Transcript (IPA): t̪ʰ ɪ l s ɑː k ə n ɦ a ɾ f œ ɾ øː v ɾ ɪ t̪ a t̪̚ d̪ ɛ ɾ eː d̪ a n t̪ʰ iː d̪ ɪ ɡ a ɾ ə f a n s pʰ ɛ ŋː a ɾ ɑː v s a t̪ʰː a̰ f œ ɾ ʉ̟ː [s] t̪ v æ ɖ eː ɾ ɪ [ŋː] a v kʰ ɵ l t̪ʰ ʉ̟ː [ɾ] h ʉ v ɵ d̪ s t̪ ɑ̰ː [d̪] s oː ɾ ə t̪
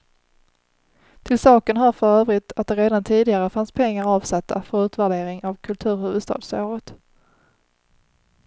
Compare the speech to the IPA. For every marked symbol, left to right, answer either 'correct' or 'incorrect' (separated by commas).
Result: incorrect, incorrect, correct, correct